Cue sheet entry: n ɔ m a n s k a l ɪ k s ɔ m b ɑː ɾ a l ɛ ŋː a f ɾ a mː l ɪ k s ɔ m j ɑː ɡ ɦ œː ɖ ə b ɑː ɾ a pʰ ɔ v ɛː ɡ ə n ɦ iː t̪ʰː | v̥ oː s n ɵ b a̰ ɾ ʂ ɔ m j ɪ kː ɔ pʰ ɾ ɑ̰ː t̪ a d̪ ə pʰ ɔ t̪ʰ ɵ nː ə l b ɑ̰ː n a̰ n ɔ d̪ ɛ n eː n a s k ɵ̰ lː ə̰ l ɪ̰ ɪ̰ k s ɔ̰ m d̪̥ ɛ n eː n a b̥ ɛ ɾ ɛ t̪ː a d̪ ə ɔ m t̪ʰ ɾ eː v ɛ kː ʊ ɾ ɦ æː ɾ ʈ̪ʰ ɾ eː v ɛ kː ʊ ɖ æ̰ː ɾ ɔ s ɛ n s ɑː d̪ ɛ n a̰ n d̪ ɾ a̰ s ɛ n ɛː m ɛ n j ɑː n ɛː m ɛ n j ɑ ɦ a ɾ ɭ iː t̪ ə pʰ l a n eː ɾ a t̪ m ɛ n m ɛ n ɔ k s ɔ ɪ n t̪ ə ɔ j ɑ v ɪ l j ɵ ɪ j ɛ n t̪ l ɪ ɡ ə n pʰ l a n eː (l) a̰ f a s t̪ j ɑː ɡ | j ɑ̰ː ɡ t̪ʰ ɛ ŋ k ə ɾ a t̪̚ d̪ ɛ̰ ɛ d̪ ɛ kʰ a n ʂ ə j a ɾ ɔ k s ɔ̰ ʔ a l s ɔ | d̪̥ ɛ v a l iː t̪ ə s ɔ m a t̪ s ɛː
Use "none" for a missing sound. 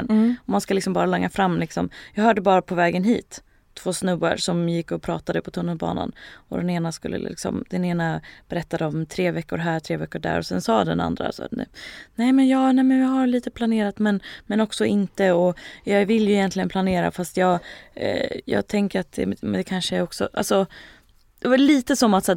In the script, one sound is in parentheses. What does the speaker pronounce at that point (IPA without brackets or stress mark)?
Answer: ɾ